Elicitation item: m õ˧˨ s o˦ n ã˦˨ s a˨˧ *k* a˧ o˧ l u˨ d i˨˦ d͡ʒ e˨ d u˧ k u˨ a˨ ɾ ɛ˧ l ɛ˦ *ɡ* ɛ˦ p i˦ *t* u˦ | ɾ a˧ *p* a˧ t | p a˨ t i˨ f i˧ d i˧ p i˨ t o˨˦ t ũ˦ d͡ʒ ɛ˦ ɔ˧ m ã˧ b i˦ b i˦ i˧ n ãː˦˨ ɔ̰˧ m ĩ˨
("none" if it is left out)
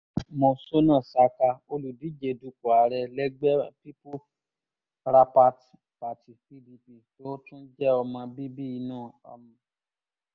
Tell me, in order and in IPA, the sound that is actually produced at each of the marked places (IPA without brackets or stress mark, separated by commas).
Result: k, ɡ͡b, p, p